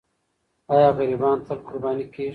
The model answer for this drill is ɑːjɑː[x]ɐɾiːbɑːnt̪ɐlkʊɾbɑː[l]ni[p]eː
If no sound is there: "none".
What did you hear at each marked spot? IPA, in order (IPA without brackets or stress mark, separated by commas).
ɣ, none, k